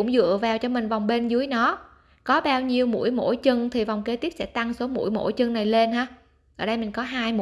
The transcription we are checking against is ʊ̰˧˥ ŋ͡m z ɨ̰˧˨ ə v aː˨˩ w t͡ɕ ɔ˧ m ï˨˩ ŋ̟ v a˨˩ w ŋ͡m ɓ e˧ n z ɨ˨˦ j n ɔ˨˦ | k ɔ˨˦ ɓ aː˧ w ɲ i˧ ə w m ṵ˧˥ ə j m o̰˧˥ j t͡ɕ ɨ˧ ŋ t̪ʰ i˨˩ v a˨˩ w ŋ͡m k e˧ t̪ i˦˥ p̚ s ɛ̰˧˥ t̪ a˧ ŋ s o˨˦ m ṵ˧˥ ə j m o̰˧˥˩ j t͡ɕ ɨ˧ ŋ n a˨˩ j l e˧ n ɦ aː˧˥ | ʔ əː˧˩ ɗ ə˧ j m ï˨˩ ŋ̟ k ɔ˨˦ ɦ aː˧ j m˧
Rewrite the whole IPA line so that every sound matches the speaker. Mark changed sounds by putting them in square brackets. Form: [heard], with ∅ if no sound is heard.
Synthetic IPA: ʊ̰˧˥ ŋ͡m z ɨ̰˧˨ ə v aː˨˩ w t͡ɕ ɔ˧ m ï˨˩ ŋ̟ v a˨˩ w ŋ͡m ɓ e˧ n z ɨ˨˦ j n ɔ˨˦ | k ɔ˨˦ ɓ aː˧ w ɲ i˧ ə w m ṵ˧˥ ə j m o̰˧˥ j t͡ɕ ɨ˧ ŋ t̪ʰ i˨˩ v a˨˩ w ŋ͡m k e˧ t̪ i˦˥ p̚ s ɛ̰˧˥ t̪ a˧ ŋ s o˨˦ m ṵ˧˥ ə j m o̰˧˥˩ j t͡ɕ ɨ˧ ŋ n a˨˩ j l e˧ n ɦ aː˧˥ | ʔ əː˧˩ ɗ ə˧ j m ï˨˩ ŋ̟ k ɔ˨˦ ɦ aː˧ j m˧